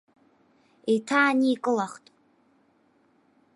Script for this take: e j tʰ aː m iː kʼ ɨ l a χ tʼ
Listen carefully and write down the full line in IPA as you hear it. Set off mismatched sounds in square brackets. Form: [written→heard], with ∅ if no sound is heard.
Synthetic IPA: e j tʰ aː [m→n] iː kʼ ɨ l a χ tʼ